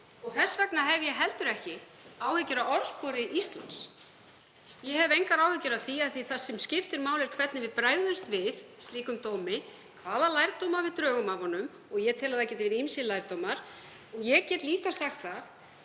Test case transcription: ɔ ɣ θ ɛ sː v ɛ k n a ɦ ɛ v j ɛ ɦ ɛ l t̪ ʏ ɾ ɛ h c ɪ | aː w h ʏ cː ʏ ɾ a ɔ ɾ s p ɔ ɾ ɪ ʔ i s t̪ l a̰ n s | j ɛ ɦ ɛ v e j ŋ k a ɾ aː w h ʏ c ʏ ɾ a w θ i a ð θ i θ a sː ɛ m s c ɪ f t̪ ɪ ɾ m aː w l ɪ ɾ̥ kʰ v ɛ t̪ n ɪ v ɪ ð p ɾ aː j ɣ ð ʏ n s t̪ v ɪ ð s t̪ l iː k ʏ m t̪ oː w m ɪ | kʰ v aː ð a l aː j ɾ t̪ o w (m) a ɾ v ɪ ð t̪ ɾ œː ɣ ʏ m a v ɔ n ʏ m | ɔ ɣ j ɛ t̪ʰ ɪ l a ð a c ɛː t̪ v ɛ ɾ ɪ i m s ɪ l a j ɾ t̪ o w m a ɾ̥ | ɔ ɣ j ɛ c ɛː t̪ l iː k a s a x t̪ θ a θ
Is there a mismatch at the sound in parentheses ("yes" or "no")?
no